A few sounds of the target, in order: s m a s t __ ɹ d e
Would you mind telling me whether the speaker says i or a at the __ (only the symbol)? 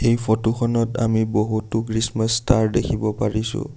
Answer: a